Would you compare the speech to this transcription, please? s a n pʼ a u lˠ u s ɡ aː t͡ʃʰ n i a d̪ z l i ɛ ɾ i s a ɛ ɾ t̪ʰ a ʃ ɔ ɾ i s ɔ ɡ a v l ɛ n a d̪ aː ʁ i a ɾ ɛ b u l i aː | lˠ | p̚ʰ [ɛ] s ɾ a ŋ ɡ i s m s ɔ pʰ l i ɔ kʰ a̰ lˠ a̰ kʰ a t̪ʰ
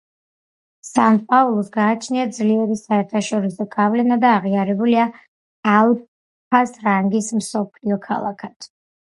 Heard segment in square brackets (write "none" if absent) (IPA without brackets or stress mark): a